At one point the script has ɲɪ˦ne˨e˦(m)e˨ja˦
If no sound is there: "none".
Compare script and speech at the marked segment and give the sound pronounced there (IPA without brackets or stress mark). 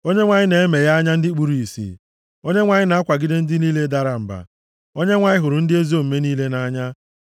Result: m